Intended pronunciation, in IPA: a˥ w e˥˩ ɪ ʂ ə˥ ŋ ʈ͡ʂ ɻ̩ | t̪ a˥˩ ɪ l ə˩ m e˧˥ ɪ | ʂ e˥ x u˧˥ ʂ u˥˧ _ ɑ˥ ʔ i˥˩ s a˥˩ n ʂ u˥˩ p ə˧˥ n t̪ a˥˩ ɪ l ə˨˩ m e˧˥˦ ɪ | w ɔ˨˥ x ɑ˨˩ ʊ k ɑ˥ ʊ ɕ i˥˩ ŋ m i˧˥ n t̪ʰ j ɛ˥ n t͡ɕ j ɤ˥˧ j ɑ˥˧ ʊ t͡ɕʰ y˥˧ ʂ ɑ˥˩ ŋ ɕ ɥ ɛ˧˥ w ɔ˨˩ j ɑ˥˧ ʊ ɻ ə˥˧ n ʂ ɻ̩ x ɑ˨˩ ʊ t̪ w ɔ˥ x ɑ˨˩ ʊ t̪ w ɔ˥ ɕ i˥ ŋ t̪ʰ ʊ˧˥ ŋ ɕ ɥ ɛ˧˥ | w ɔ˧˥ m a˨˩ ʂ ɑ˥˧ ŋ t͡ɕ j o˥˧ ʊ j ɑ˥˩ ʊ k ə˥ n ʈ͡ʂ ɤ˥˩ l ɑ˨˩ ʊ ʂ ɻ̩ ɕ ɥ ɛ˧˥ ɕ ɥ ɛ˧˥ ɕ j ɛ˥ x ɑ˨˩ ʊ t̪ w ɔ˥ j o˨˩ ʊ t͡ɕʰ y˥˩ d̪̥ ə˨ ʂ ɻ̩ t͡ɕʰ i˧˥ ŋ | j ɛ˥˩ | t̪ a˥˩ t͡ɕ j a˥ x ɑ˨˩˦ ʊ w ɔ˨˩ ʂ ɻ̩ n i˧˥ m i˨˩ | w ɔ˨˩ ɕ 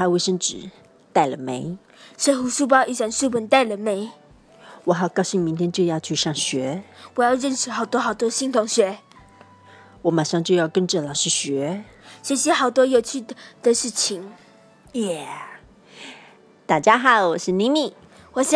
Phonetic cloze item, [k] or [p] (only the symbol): p